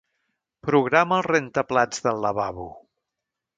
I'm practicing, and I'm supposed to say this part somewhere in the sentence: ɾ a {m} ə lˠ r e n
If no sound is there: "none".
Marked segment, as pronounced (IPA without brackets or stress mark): m